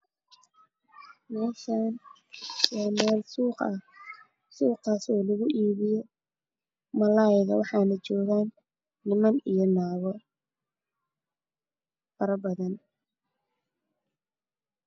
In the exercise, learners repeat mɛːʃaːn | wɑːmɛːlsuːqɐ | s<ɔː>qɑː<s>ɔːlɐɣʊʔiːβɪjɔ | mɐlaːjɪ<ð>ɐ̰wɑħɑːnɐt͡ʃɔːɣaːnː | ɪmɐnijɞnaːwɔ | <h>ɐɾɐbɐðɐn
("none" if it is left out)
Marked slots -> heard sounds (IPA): uː, s, ɣ, f

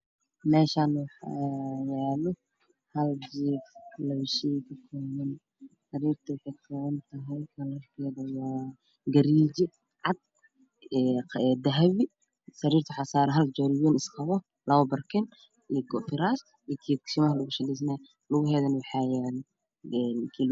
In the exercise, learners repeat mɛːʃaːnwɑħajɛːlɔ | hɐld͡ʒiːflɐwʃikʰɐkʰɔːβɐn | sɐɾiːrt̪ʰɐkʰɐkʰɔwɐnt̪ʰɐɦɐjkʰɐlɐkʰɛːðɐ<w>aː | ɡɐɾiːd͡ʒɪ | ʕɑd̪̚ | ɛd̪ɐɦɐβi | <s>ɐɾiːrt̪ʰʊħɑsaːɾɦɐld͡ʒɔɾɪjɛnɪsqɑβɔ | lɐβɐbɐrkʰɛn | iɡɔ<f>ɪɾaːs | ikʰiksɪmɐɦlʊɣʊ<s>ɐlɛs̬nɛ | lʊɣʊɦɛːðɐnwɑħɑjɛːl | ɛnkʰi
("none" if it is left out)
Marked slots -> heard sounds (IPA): w, s, f, ʃ

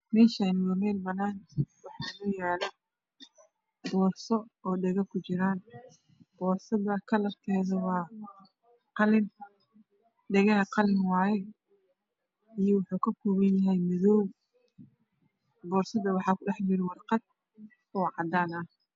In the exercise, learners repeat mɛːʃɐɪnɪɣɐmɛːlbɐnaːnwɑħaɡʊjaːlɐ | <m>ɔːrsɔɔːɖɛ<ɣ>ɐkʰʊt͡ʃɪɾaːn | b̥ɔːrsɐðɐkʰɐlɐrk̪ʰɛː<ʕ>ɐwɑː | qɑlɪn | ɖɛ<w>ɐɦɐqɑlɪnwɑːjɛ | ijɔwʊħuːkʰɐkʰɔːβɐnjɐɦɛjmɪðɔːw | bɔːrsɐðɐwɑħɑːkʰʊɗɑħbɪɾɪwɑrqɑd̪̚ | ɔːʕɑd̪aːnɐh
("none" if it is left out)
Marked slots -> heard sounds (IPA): b, ɣ, ð, ɣ

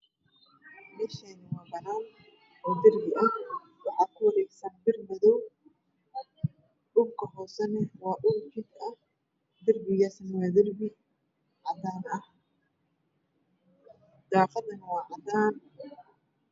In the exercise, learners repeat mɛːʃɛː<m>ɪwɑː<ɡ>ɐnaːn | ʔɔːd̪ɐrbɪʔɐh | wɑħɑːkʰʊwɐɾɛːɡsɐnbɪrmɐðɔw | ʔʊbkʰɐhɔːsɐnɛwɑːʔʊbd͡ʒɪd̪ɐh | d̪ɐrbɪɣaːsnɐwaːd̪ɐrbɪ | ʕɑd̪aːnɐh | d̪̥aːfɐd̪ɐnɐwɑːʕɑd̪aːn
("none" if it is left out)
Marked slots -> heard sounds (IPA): n, b

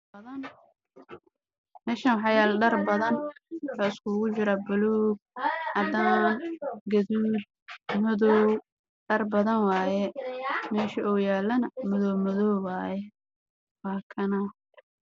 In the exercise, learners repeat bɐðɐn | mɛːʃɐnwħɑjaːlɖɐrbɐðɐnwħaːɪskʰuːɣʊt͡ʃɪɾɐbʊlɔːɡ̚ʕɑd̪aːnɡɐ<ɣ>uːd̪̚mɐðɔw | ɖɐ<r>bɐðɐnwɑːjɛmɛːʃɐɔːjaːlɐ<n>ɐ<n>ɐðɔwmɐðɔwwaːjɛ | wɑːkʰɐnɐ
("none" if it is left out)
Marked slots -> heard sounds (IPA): ð, r, n, m

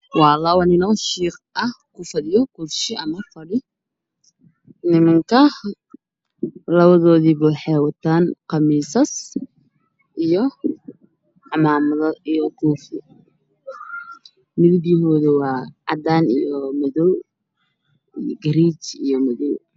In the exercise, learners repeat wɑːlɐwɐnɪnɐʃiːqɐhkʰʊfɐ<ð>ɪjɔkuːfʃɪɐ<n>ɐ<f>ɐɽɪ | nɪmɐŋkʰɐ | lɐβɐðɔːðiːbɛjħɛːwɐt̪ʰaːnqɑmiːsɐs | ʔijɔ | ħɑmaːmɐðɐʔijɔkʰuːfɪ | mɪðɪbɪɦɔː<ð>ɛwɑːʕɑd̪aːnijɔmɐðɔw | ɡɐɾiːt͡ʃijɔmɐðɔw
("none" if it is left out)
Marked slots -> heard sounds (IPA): ð, m, f, ð

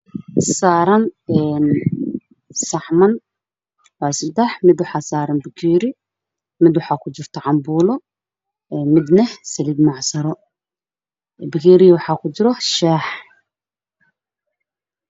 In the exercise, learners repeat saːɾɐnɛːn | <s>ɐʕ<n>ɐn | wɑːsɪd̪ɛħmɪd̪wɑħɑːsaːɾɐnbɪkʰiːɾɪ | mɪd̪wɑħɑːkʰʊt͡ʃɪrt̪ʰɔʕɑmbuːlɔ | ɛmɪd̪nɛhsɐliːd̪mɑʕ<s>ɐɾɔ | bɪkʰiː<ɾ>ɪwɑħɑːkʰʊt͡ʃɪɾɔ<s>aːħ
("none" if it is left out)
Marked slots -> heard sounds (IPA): s, m, s, ɾ, ʃ

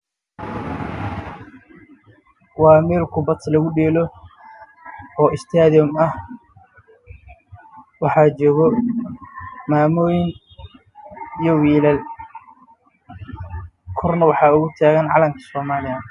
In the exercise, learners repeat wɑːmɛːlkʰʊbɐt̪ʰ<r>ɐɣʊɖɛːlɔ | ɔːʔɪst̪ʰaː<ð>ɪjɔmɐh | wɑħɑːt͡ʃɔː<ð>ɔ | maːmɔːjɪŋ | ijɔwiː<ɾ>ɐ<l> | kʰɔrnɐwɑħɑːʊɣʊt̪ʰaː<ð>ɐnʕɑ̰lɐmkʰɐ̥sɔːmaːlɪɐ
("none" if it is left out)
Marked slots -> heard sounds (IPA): l, ð, ɣ, l, l, ɣ

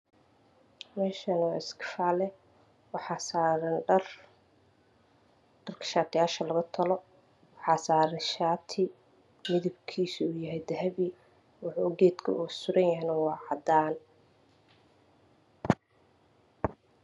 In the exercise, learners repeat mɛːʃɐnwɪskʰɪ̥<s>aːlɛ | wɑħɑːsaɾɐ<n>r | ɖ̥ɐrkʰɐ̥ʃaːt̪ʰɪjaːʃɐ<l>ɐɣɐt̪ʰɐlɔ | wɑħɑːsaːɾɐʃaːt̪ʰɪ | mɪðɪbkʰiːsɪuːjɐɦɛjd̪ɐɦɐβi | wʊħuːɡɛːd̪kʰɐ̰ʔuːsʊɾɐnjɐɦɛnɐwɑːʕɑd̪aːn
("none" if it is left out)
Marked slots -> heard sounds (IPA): f, n, l

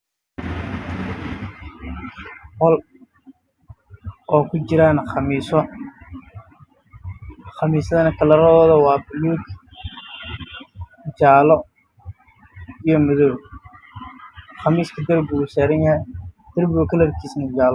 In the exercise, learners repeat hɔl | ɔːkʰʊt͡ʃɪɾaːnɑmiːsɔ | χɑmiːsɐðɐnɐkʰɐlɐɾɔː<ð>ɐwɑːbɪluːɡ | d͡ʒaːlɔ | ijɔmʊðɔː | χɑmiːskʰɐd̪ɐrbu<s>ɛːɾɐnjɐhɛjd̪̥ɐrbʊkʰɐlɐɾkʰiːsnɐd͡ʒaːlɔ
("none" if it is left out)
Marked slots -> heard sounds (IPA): ð, s

